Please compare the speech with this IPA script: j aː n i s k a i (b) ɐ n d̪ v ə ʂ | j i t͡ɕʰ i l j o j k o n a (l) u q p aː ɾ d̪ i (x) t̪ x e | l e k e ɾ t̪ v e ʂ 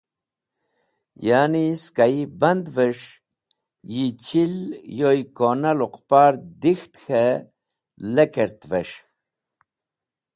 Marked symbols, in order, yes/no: yes, yes, yes

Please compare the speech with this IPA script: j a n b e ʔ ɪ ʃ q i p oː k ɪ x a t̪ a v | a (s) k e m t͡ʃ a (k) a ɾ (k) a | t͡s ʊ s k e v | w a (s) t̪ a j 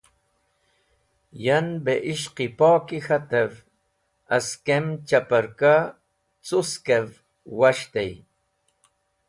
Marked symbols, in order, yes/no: yes, no, yes, no

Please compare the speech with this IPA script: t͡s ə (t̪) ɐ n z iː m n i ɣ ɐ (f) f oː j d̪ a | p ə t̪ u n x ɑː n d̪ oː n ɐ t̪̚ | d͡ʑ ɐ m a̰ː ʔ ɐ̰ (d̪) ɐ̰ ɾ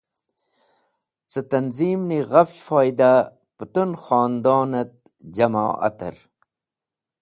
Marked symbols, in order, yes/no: yes, yes, no

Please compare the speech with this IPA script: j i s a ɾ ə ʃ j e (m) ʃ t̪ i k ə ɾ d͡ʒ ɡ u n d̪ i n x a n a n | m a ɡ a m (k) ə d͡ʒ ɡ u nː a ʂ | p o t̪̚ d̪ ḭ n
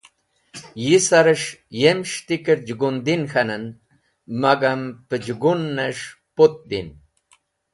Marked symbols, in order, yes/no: yes, no

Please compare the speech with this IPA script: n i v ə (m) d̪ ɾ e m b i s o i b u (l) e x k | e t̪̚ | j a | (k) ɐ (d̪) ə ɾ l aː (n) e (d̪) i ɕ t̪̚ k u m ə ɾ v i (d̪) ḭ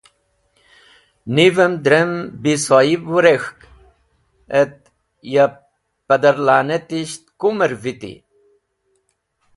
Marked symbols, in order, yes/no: yes, no, no, yes, yes, no, no

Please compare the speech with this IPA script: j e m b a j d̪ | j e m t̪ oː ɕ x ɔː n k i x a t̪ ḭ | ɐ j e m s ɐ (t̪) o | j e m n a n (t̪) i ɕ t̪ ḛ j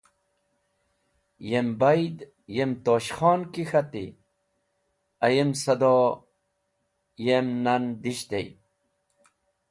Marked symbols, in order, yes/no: no, no

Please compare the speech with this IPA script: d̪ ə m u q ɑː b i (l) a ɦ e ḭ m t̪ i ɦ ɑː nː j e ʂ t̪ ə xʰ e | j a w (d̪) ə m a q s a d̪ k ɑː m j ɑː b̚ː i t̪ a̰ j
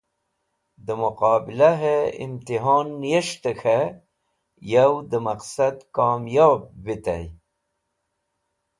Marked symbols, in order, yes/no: yes, yes

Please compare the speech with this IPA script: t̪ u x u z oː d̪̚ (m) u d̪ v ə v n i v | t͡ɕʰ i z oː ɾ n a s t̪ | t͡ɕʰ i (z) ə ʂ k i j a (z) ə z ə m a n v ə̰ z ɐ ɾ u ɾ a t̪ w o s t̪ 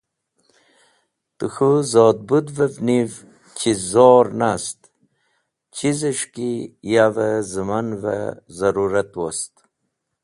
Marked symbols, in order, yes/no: no, yes, no

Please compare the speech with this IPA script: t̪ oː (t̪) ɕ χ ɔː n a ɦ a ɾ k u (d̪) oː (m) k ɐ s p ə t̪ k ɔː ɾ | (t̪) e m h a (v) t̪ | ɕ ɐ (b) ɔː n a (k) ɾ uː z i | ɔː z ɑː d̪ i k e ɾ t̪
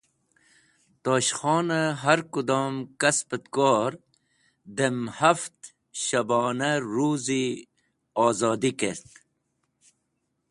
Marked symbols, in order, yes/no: no, yes, yes, no, no, yes, no

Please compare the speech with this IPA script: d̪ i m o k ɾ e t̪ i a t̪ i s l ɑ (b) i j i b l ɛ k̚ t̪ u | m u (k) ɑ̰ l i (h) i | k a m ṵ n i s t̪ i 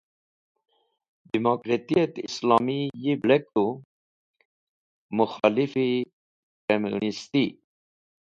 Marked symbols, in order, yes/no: no, no, no

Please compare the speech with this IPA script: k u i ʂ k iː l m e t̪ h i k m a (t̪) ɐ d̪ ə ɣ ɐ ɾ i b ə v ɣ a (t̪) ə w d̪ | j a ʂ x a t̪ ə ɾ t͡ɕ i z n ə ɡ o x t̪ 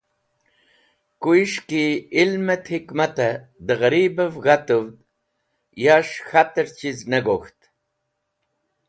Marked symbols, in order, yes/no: yes, yes

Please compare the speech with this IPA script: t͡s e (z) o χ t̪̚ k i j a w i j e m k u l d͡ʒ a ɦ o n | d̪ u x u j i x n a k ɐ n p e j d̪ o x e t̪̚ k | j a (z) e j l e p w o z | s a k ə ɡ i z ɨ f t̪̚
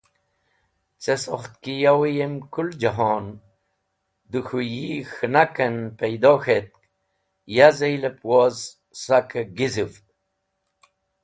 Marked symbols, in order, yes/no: no, yes

